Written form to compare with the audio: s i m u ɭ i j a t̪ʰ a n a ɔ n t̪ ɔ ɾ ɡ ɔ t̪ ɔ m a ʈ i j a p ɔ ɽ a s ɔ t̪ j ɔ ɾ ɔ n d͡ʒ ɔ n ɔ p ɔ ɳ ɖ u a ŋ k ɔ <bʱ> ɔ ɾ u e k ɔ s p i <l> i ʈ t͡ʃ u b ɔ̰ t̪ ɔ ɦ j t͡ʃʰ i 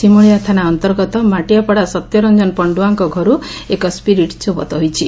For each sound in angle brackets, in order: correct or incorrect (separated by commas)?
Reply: incorrect, incorrect